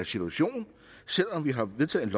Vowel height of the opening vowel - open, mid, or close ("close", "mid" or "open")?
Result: close